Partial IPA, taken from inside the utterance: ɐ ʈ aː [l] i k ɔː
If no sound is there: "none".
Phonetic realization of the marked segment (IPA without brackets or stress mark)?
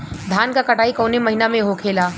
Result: none